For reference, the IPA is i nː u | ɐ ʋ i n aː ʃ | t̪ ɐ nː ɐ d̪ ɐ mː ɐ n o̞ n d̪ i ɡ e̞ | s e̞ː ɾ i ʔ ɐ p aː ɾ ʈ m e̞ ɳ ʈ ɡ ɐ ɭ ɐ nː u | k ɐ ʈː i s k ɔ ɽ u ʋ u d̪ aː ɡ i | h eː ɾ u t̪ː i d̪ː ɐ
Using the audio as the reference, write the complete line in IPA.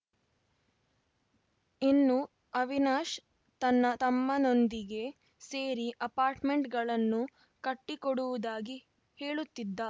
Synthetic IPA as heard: i nː u | ɐ ʋ i n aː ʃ | t̪ ɐ nː ɐ t̪ ɐ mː ɐ n o̞ n d̪ i ɡ e̞ | s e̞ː ɾ i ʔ ɐ p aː ɾ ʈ m e̞ ɳ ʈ ɡ ɐ ɭ ɐ nː u | k ɐ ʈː i k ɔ ɽ u ʋ u d̪ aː ɡ i | h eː ɭ u t̪ː i d̪ː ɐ

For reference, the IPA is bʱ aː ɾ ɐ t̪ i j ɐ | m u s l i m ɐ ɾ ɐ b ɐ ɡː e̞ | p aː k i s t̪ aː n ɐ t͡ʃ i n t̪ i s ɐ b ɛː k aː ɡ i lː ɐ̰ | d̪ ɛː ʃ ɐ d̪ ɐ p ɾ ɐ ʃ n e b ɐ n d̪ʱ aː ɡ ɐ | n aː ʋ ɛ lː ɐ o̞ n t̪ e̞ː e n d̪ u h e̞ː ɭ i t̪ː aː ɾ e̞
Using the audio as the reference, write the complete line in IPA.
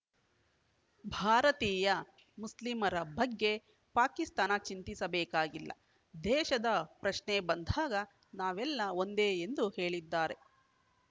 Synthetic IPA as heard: bʱ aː ɾ ɐ t̪ iː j ɐ | m u s l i m ɐ ɾ ɐ b ɐ ɡː e̞ | p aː k i s t̪ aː n ɐ t͡ʃ i n t̪ i s ɐ b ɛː k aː ɡ i lː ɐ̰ | d̪ ɛː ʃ ɐ d̪ ɐ p ɾ ɐ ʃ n e b ɐ n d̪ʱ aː ɡ ɐ | n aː ʋ ɛ lː ɐ o̞ n d̪ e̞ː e n d̪ u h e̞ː ɭ i d̪ː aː ɾ e̞

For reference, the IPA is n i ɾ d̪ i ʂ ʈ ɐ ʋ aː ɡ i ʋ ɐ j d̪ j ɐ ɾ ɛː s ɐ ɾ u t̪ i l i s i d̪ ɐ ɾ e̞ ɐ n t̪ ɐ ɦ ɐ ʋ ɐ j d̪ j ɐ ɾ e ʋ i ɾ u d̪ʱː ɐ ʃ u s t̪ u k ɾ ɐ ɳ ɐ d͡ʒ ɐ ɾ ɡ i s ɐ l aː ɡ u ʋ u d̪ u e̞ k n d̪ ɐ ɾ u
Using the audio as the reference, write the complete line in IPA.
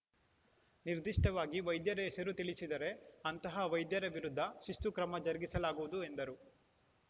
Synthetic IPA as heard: n i ɾ d̪ i ʂ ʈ ɐ ʋ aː ɡ i ʋ ɐ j d̪ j ɐ ɾ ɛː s ɐ ɾ u t̪ i ɭ i s i d̪ ɐ ɾ e̞ ɐ n t̪ ɐ ɦ ɐ ʋ ɐ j d̪ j ɐ ɾ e ʋ i ɾ u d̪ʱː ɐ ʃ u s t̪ u k ɾ ɐ m ɐ d͡ʒ ɐ ɾ ɡ i s ɐ l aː ɡ u ʋ u d̪ u e̞ n d̪ ɐ ɾ u

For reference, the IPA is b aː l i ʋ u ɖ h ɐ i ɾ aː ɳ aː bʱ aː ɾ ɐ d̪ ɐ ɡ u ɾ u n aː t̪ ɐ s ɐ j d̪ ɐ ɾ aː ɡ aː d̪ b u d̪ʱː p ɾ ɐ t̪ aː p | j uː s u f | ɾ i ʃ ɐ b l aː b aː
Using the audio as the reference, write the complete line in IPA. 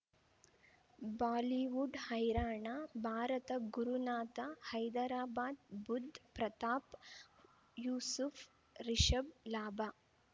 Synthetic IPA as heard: b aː l i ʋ u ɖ h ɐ j ɾ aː ɳ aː bʱ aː ɾ ɐ t̪ ɐ ɡ u ɾ u n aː t̪ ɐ h ɐ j d̪ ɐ ɾ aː b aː d̪ b u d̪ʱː p ɾ ɐ t̪ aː p | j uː s u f | ɾ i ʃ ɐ b l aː b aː

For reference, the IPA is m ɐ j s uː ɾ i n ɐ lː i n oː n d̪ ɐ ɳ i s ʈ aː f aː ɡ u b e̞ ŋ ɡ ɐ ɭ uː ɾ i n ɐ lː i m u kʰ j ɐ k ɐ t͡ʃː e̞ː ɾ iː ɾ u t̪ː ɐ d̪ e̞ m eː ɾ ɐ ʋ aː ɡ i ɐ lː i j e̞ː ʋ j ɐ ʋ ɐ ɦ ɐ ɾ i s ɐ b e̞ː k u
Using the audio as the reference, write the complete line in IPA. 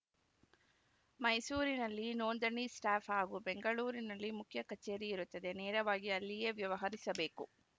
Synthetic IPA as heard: m ɐ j s uː ɾ i n ɐ lː i n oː n d̪ ɐ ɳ i s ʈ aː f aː ɡ u b e̞ ŋ ɡ ɐ ɭ uː ɾ i n ɐ lː i m u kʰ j ɐ k ɐ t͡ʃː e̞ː ɾ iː ɾ u t̪ː ɐ d̪ e̞ n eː ɾ ɐ ʋ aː ɡ i ɐ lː i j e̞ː ʋ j ɐ ʋ ɐ ɦ ɐ ɾ i s ɐ b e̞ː k u

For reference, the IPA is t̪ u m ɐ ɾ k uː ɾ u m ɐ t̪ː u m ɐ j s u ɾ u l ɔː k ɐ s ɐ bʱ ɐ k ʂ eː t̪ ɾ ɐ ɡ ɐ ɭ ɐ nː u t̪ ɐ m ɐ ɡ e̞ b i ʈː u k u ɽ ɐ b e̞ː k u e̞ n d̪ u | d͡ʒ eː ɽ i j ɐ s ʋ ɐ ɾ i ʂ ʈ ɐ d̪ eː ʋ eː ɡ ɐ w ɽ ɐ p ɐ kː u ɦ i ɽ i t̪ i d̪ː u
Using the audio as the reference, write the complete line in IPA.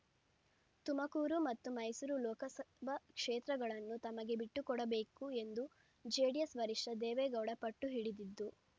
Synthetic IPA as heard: t̪ u m ɐ k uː ɾ u m ɐ t̪ː u m ɐ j s u ɾ u l ɔː k ɐ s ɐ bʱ ɐ k ʂ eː t̪ ɾ ɐ ɡ ɐ ɭ ɐ nː u t̪ ɐ m ɐ ɡ e̞ b i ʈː u k ɔ ɽ ɐ b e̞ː k u e̞ n d̪ u | d͡ʒ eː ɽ i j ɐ s ʋ ɐ ɾ i ʂ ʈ ɐ d̪ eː ʋ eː ɡ ɐ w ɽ ɐ p ɐ ʈː u ɦ i ɽ i d̪ i d̪ː u

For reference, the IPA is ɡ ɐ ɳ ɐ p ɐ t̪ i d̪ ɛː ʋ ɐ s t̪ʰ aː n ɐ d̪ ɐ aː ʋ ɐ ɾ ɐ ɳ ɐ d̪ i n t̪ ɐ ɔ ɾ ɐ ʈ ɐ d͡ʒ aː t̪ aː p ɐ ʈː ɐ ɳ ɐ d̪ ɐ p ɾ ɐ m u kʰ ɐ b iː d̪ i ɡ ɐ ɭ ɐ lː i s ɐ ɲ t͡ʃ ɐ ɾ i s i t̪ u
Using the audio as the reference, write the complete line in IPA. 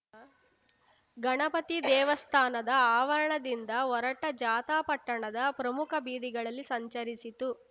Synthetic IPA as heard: ɡ ɐ ɳ ɐ p ɐ t̪ i d̪ ɛː ʋ ɐ s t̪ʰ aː n ɐ d̪ ɐ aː ʋ ɐ ɾ ɐ ɳ ɐ d̪ i n d̪ ɐ ɔ ɾ ɐ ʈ ɐ d͡ʒ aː t̪ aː p ɐ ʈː ɐ ɳ ɐ d̪ ɐ p ɾ ɐ m u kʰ ɐ b iː d̪ i ɡ ɐ ɭ ɐ lː i s ɐ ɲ t͡ʃ ɐ ɾ i s i t̪ u

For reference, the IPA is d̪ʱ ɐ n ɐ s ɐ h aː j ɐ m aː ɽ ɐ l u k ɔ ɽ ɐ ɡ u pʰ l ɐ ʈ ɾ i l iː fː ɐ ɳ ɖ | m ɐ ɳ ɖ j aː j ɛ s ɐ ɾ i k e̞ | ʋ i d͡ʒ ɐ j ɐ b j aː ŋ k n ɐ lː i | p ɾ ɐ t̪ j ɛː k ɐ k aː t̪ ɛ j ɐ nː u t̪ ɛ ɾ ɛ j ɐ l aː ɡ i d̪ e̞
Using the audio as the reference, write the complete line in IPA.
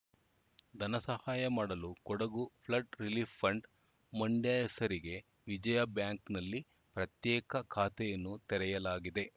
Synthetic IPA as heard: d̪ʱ ɐ n ɐ s ɐ h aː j ɐ m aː ɽ ɐ l u k ɔ ɽ ɐ ɡ u pʰ l ɐ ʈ ɾ i l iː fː ɐ ɳ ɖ | m ɐ ɳ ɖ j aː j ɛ s ɐ ɾ i ɡ e̞ | ʋ i d͡ʒ ɐ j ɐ b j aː ŋ k n ɐ lː i | p ɾ ɐ t̪ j ɛː k ɐ kʰ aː t̪ ɛ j ɐ nː u t̪ ɛ ɾ ɛ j ɐ l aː ɡ i d̪ e̞

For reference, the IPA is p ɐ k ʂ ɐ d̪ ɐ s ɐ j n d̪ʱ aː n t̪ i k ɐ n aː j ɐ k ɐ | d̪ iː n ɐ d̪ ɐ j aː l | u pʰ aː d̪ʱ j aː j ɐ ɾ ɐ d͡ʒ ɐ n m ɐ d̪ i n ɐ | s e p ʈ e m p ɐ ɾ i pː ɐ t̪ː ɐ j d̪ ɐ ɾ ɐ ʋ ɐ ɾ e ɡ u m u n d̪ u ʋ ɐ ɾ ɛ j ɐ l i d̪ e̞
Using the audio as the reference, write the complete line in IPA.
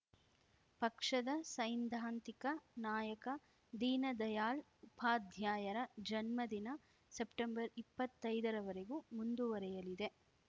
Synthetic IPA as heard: p ɐ k ʂ ɐ d̪ ɐ s ɐ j n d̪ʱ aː n t̪ i k ɐ n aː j ɐ k ɐ | d̪ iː n ɐ d̪ ɐ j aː l | u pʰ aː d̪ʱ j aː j ɐ ɾ ɐ d͡ʒ ɐ n m ɐ d̪ i n ɐ | s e p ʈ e m b ɐ ɾ i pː ɐ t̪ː ɐ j d̪ ɐ ɾ ɐ ʋ ɐ ɾ e ɡ u m u n d̪ u ʋ ɐ ɾ ɛ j ɐ l i d̪ e̞

